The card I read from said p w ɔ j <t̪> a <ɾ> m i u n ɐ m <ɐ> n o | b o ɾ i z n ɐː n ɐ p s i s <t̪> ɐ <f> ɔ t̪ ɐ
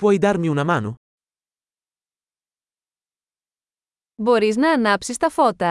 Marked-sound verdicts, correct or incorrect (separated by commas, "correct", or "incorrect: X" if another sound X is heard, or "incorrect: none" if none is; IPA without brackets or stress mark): incorrect: d̪, correct, incorrect: a, correct, correct